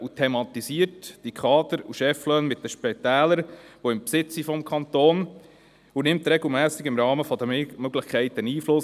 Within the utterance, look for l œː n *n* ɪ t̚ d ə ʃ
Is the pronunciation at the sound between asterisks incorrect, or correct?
incorrect: m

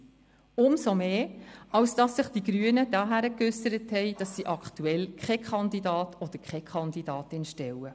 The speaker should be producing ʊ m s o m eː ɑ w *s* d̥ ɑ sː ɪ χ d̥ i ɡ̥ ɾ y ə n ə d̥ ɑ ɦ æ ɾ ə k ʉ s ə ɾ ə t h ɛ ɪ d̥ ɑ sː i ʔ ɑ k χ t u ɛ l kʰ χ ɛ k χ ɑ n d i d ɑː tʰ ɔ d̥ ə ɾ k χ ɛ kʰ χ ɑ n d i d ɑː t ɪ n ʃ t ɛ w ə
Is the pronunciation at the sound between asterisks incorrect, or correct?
correct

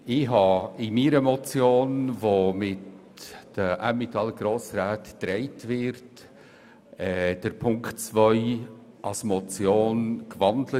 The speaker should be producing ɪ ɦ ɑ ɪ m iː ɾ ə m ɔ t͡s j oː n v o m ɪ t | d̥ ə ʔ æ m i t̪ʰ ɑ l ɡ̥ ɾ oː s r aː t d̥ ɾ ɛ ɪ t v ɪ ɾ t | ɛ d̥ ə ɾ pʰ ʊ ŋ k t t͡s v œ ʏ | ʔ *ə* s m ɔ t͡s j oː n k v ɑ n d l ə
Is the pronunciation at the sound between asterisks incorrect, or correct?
incorrect: ɑ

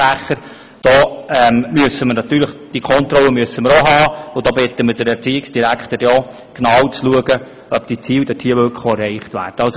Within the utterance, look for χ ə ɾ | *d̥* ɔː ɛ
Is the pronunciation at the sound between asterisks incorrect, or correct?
correct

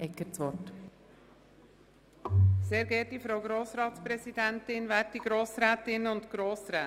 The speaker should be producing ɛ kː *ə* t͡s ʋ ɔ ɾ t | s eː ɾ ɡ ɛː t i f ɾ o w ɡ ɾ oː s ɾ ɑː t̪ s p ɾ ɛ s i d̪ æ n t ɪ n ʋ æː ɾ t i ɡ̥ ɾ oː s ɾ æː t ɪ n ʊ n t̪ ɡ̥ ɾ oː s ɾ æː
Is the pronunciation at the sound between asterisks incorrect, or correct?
correct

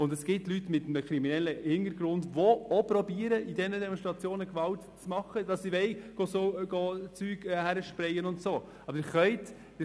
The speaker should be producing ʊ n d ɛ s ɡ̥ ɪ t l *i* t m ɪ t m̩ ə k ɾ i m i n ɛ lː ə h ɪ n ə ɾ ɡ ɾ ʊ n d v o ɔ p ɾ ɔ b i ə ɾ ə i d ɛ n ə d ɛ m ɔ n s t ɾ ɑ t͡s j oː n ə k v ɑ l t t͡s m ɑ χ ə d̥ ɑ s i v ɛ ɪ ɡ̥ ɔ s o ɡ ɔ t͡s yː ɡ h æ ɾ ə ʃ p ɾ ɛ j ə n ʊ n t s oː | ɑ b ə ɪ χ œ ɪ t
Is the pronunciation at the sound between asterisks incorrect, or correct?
incorrect: y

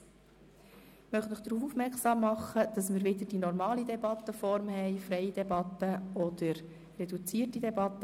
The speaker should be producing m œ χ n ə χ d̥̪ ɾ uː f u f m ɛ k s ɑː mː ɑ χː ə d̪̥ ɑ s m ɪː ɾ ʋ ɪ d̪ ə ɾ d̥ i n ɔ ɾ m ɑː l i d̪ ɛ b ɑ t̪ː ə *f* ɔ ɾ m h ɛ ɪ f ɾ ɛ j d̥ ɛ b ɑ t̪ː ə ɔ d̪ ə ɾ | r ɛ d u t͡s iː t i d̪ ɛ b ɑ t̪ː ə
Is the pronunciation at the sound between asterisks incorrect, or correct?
correct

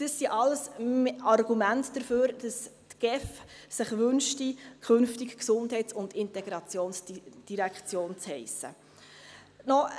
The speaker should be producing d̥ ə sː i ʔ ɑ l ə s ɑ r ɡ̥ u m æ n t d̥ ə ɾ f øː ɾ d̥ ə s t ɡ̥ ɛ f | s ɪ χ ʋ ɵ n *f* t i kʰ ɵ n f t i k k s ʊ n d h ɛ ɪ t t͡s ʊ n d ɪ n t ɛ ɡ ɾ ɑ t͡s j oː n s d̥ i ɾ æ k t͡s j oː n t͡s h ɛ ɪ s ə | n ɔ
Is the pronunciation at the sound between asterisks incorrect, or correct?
incorrect: ʃ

